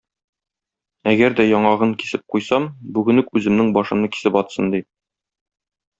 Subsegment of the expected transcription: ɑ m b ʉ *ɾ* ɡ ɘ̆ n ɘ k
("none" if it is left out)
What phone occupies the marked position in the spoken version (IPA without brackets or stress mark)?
none